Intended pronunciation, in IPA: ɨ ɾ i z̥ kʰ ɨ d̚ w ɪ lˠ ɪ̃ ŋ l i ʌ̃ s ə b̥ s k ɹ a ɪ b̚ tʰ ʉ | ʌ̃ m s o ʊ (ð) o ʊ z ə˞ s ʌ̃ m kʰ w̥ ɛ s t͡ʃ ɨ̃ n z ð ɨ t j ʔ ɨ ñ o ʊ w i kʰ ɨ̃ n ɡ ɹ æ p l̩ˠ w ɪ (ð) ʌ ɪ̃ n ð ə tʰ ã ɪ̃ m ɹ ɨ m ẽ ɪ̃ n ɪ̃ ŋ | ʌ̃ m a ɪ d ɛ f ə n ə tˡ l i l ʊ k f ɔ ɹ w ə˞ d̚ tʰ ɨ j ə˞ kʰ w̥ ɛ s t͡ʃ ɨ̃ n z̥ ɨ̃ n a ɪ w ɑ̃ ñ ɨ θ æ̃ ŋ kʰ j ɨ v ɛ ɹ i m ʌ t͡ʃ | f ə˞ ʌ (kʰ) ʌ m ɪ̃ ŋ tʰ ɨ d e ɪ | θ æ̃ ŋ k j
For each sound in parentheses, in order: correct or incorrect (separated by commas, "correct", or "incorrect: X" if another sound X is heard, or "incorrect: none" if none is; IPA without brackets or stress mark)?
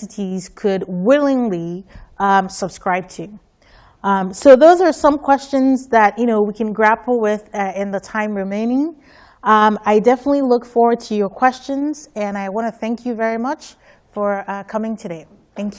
correct, correct, correct